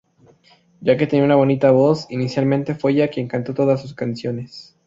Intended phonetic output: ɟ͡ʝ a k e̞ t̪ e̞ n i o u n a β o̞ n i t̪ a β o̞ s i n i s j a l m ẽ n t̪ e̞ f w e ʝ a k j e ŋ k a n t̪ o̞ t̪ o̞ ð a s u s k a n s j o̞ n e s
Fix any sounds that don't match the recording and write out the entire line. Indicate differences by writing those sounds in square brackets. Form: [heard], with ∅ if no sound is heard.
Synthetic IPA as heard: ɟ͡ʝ a k e̞ t̪ e̞ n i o u n a β o̞ n i t̪ a β o̞ s i n i s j a l m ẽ n t̪ e̞ f w e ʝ a k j e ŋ k a n t̪ o̞ t̪ o̞ ð a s u s k a n s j o̞ n e s